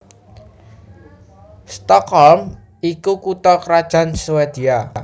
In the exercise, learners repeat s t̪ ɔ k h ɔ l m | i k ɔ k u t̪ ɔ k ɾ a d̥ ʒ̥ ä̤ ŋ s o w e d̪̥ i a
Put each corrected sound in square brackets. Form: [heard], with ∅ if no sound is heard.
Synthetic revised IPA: s t̪ ɔ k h ɔ l m | i k [u] k u t̪ ɔ k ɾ a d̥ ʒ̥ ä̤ [n] s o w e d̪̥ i a